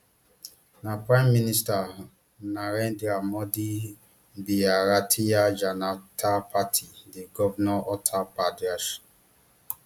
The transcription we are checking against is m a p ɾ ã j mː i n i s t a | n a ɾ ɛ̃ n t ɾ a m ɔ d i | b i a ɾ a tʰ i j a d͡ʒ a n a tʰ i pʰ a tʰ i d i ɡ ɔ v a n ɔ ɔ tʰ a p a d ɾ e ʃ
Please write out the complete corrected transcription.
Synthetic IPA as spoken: n a p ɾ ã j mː i n i s t a | n a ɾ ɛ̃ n d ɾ a m ɔ d i | b i a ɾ a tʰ i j a d͡ʒ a n a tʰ a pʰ a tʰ i d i ɡ ɔ v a n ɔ ɔ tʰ a p a d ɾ a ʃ